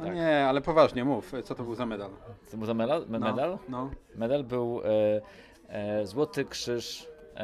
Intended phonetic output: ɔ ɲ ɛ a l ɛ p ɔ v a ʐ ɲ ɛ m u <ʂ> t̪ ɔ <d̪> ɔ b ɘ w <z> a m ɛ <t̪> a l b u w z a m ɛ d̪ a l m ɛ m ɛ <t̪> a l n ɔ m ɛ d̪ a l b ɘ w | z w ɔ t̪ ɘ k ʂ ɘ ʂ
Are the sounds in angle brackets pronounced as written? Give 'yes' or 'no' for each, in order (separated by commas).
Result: no, no, yes, no, no